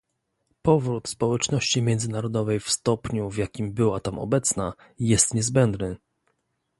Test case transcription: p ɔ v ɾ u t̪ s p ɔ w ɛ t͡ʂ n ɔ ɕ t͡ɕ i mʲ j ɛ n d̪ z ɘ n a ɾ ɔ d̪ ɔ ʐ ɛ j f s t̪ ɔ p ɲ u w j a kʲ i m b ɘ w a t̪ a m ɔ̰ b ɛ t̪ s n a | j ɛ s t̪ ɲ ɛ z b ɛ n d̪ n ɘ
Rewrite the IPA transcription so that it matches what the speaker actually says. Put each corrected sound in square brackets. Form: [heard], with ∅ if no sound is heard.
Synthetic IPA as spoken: p ɔ v ɾ u t̪ s p ɔ w ɛ t͡ʂ n ɔ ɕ t͡ɕ i mʲ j ɛ n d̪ z ɘ n a ɾ ɔ d̪ ɔ [v] ɛ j f s t̪ ɔ p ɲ u [v] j a kʲ i m b ɘ w a t̪ a m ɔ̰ b ɛ t̪ s n a | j ɛ s t̪ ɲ ɛ z b ɛ n d̪ n ɘ